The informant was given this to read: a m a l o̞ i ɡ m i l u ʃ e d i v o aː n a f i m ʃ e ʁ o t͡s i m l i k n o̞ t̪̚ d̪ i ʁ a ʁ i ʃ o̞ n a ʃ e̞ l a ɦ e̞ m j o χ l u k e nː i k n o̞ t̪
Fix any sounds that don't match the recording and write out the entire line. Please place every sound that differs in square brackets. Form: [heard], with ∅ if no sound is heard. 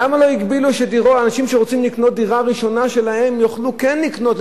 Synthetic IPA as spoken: a m a l o̞ i ɡ [b] i l u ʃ e d i [ʁ] o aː n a [ʃ] i m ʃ e ʁ o t͡s i m l i k n o̞ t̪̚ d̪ i ʁ a ʁ i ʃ o̞ n a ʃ e̞ l a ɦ e̞ m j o χ l u k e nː i k n o̞ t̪